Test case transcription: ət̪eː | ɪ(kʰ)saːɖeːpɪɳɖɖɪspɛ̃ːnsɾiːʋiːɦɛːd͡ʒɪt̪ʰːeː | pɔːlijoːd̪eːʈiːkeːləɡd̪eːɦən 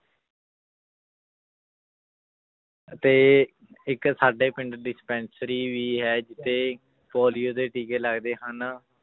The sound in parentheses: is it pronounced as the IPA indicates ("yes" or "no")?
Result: no